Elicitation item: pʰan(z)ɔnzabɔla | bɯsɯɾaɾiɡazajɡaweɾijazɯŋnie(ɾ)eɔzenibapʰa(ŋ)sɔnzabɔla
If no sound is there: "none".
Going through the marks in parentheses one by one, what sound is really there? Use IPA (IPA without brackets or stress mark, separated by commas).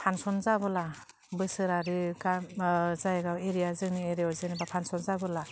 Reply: s, ɾ, n